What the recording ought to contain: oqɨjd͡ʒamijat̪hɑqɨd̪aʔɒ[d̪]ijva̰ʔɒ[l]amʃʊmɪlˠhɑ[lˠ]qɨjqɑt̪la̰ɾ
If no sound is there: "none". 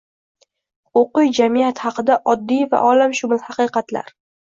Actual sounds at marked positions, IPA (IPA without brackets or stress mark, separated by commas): d̪ː, l, none